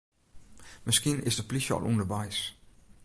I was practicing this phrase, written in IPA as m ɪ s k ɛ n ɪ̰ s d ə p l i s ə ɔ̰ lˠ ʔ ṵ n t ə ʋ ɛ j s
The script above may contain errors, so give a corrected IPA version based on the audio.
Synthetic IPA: m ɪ s k i n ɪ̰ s d ə p l i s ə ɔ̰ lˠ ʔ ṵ n d ə ʋ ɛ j s